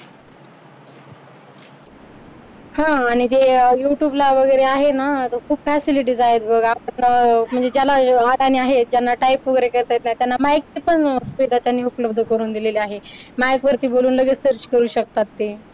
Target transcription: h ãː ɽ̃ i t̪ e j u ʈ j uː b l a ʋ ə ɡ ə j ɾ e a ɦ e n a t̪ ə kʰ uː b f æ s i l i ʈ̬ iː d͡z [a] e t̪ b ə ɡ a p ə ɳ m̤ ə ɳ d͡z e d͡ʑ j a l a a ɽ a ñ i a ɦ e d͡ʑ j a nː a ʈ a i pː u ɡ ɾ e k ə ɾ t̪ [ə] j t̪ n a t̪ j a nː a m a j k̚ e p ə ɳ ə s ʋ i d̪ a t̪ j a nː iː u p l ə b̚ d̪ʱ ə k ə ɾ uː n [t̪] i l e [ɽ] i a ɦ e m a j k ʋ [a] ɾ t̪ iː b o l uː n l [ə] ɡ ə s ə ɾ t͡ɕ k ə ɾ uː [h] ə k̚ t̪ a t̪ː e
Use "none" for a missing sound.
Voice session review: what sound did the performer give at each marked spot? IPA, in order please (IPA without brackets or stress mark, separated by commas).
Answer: a, a, d̪, l, ə, ə, ɕ